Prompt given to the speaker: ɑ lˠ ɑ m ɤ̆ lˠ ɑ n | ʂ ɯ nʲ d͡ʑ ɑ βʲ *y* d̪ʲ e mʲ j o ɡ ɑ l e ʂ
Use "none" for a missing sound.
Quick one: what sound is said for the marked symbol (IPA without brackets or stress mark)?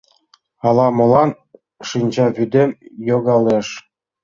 y